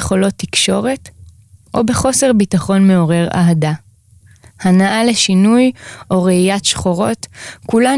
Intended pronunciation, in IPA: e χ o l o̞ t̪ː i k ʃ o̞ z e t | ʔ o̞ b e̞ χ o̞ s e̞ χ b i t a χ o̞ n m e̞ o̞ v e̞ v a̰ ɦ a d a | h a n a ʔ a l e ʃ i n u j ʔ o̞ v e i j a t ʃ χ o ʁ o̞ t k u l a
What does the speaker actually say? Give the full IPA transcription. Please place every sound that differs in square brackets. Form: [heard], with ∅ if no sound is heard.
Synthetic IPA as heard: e χ o l o̞ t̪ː i k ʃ o̞ [ʁ] e t | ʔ o̞ b e̞ χ o̞ s e̞ [ʁ] b i t a χ o̞ n m e̞ o̞ [ʁ] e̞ [ʁ] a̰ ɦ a d a | h a n a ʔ a l e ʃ i n u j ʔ o̞ [ʁ] e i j a t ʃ χ o ʁ o̞ t k u l a